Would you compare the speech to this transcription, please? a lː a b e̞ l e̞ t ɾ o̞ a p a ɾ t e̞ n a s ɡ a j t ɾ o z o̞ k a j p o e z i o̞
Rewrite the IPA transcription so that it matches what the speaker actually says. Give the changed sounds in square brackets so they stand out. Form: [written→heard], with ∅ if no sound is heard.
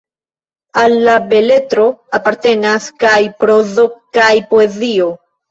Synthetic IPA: a lː a b e̞ l e̞ t ɾ o̞ a p a ɾ t e̞ n a s [ɡ→k] a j [t→p] ɾ o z o̞ k a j p o e z i o̞